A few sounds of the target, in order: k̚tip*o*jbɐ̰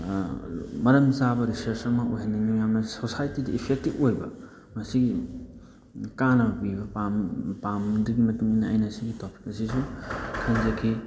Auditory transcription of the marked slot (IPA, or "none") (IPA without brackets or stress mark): o